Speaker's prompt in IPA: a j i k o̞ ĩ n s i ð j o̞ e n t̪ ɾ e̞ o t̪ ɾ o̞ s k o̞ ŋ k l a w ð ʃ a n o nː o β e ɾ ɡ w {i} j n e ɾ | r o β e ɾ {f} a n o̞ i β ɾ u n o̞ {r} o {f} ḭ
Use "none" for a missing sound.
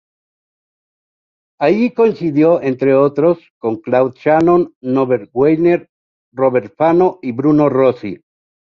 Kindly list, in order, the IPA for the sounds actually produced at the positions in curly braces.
e, f, r, s

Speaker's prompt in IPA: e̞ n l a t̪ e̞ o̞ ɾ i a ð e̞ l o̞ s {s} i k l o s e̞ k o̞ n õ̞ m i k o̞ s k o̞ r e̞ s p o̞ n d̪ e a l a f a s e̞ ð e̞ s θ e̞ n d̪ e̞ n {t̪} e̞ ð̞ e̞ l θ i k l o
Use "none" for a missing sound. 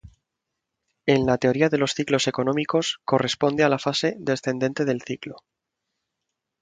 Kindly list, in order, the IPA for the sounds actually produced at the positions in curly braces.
θ, t̪

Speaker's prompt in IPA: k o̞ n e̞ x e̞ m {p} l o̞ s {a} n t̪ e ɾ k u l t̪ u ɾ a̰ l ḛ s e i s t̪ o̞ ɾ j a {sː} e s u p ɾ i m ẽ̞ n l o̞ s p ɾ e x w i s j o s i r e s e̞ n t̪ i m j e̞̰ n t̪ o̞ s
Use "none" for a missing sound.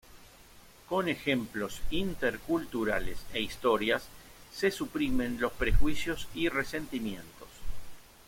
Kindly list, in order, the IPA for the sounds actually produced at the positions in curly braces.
p, i, sː

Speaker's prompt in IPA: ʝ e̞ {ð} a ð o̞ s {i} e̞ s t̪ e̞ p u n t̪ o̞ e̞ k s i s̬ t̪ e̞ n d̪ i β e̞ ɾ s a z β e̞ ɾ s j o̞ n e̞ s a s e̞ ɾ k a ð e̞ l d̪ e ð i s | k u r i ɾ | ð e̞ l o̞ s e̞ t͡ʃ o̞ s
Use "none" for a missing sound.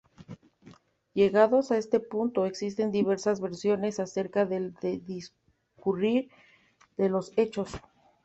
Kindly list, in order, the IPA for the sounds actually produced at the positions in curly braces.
ɣ, a

